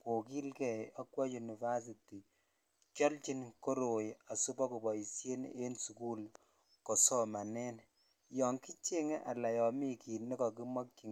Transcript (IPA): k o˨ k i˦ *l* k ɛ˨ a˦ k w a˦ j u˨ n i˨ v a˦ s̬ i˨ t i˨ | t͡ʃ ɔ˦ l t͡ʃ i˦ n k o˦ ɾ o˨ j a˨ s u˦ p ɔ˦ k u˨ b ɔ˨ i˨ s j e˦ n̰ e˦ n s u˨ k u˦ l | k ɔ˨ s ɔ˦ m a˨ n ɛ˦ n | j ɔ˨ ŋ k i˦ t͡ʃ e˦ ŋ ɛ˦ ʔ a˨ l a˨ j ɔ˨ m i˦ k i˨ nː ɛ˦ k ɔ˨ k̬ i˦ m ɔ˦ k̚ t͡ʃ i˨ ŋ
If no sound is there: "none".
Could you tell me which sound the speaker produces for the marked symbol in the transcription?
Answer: l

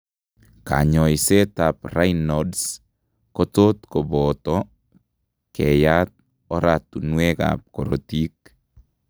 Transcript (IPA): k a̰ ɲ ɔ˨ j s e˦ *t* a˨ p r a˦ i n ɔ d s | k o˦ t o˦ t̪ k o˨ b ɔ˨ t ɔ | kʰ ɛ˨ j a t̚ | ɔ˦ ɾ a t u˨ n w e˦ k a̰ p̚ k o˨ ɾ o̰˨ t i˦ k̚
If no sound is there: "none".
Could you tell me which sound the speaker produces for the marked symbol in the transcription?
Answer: t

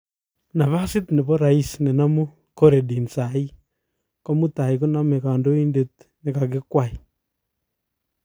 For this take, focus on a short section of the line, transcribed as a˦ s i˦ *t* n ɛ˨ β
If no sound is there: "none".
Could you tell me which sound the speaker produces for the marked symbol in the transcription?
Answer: t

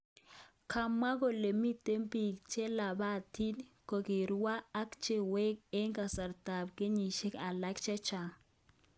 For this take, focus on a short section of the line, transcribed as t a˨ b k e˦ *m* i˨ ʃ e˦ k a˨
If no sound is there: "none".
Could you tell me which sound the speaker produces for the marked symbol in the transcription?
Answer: ɲ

